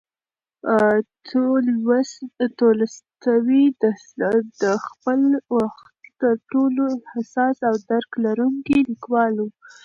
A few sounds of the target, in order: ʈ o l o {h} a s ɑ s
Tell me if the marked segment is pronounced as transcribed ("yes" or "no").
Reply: yes